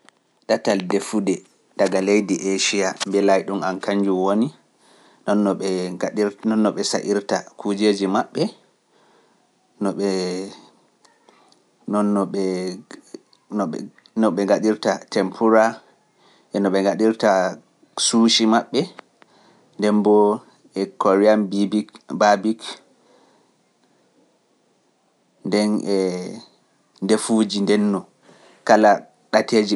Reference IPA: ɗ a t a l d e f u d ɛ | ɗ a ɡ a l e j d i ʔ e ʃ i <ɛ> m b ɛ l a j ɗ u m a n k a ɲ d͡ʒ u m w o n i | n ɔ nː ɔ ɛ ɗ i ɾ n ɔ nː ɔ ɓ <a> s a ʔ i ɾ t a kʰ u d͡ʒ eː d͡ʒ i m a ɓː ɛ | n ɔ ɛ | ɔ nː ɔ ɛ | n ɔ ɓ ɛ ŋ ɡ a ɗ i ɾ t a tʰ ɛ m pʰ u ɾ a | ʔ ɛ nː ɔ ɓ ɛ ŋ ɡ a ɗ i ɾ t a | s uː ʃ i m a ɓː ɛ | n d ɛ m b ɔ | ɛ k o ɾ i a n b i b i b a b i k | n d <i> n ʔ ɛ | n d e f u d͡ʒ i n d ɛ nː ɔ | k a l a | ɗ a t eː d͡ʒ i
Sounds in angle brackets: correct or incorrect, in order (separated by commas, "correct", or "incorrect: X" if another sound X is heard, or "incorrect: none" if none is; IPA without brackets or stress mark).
incorrect: a, incorrect: ɛ, incorrect: ɛ